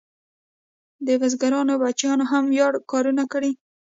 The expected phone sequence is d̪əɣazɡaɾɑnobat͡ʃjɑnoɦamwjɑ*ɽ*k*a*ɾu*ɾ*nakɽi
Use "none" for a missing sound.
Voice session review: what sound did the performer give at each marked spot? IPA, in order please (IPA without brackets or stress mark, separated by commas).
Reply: ɽ, ɑ, none